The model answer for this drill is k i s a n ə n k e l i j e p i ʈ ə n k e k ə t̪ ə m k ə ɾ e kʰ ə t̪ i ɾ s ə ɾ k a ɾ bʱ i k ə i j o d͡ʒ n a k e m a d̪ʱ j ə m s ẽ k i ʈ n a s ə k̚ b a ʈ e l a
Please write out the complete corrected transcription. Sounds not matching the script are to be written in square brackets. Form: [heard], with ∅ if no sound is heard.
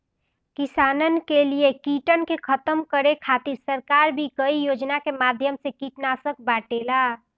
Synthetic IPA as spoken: k i s a n ə n k e l i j e [k] i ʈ ə n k e [kʰ] ə t̪ ə m k ə ɾ e kʰ [a] t̪ i ɾ s ə ɾ k a ɾ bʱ i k ə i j o d͡ʒ n a k e m a d̪ʱ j ə m s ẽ k i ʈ n a s ə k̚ b a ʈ e l a